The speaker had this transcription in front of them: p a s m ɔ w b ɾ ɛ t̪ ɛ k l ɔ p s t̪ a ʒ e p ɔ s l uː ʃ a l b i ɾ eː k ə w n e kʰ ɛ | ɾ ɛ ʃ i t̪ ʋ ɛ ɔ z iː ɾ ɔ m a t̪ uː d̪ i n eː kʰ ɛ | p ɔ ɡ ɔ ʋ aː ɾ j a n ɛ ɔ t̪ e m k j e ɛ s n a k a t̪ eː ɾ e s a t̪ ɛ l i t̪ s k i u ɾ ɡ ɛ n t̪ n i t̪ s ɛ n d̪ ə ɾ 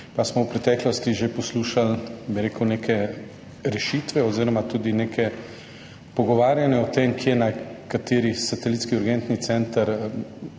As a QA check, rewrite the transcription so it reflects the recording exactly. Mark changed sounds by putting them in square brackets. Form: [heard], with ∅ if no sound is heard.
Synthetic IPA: p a s m ɔ w [p] ɾ ɛ t̪ ɛ k l ɔ [∅] s t̪ [i] ʒ e p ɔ s l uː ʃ a l b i ɾ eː k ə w n e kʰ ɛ | ɾ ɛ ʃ i t̪ ʋ ɛ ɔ z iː ɾ ɔ m a t̪ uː d̪ i n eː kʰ ɛ | p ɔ ɡ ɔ ʋ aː ɾ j a n ɛ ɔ t̪ e m k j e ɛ [∅] n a k a t̪ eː ɾ [i] s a t̪ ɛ l i t̪ s k i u ɾ ɡ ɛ n t̪ n i t̪ s ɛ n [t̪] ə ɾ